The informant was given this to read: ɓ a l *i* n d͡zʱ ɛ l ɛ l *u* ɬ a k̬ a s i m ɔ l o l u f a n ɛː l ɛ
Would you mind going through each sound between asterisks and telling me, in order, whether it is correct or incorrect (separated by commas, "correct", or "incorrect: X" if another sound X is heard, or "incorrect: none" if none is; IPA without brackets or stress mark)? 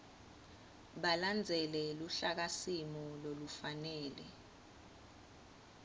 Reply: incorrect: a, correct